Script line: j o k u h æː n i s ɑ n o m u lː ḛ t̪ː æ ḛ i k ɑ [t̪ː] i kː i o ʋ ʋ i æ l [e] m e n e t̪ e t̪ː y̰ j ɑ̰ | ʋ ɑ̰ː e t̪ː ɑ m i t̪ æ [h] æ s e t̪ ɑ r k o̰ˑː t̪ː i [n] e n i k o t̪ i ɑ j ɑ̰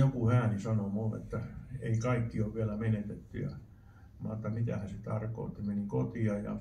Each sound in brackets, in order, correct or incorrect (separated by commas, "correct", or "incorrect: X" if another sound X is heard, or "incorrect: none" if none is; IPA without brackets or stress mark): incorrect: none, incorrect: æ, correct, incorrect: m